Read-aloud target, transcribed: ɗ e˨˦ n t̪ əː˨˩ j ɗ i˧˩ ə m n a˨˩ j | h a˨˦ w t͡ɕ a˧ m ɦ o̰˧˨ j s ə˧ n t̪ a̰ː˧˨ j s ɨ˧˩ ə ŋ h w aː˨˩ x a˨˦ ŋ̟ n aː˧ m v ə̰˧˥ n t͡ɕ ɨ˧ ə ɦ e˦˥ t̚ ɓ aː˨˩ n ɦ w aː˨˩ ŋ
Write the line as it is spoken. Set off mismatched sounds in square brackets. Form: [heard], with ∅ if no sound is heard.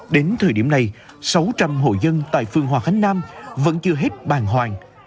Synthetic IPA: ɗ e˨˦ n [t̪ʰ] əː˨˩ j ɗ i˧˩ ə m n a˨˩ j | [s] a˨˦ w t͡ɕ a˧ m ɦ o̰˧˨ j [z] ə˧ n t̪ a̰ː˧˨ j [f] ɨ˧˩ ə ŋ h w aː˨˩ x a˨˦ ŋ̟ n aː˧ m v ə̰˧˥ n t͡ɕ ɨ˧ ə ɦ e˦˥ t̚ ɓ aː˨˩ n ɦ w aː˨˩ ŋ